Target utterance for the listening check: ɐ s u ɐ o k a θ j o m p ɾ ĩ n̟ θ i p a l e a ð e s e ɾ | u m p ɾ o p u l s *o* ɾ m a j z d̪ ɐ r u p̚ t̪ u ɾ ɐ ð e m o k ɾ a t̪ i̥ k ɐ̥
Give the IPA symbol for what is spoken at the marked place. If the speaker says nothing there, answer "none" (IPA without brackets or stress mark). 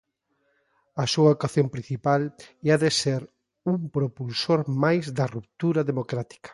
o